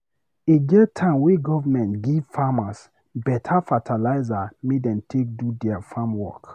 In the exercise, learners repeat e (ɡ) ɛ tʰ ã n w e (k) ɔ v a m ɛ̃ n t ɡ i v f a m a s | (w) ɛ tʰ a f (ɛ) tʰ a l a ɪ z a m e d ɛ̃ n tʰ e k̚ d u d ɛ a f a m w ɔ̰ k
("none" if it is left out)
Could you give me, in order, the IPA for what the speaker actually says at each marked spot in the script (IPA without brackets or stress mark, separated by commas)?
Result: ɡ, ɡ, b, a